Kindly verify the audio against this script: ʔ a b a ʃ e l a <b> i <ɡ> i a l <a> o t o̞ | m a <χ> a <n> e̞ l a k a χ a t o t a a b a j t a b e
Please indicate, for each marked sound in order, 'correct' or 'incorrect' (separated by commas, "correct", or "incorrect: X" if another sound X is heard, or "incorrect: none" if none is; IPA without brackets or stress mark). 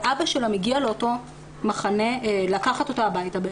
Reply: incorrect: m, correct, incorrect: e, correct, correct